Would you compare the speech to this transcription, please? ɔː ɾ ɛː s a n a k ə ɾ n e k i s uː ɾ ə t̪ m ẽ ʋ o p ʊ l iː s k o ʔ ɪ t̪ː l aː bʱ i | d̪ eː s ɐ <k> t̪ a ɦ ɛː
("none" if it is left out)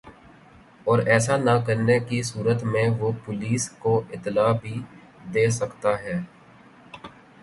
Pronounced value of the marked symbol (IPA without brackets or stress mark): k